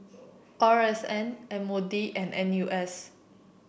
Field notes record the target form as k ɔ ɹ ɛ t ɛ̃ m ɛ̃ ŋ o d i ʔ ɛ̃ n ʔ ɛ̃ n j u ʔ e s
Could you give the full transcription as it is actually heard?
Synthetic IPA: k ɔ ɹ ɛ s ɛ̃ n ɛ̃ m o d i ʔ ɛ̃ n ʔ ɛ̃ n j u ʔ ɛ s